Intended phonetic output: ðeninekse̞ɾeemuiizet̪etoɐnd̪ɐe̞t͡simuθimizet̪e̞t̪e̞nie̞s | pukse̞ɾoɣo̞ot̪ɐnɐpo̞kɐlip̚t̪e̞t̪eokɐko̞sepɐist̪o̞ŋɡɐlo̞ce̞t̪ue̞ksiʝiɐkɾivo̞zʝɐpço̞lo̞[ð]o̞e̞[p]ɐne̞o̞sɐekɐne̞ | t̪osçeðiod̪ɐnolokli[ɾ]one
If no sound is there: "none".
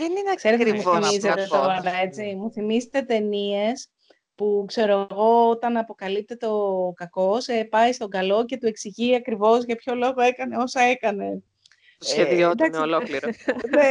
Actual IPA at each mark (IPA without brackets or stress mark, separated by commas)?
ɣ, k, ɾ